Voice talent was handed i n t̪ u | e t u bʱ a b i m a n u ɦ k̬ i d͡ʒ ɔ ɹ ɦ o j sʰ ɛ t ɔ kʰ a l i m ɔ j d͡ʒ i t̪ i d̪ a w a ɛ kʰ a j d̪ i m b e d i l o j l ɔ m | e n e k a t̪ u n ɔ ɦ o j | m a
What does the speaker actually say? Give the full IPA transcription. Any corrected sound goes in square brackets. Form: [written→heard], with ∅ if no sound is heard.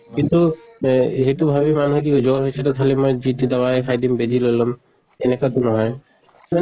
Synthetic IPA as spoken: i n t̪ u | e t u bʱ a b i m a n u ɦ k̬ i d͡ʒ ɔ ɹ ɦ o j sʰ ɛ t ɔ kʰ a l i m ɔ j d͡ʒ i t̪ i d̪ a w a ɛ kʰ a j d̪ i m b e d i l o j l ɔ m | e n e k a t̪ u n ɔ ɦ [o→ɔ] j | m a